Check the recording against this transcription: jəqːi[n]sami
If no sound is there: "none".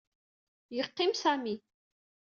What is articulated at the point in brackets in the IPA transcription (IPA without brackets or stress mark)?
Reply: m